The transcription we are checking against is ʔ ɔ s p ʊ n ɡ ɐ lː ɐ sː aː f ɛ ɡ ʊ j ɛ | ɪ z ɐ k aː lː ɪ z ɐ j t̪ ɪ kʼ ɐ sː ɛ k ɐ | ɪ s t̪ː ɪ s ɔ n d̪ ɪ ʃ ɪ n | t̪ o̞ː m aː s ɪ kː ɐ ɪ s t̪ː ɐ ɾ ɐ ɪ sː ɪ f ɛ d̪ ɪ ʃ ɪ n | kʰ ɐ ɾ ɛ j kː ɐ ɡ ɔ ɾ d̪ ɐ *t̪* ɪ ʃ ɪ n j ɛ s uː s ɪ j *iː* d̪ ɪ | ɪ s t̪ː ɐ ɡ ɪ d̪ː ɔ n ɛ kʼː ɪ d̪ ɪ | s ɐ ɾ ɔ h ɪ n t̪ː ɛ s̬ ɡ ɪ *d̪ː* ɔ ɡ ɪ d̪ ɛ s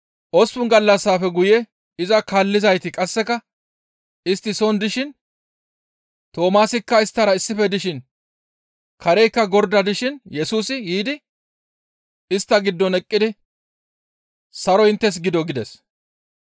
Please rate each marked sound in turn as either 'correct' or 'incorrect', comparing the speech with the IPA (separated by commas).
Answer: incorrect, correct, incorrect